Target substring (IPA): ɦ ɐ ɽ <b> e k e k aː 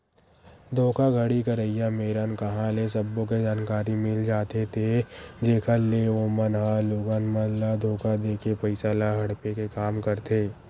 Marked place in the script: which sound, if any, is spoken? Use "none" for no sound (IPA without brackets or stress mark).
p